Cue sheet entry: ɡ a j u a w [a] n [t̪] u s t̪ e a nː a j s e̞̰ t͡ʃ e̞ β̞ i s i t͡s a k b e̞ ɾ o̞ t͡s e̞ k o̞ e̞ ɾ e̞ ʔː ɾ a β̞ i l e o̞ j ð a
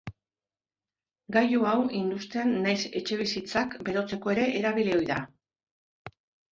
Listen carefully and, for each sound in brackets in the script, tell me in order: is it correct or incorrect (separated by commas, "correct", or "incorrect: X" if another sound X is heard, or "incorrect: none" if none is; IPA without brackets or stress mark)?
incorrect: i, incorrect: d̪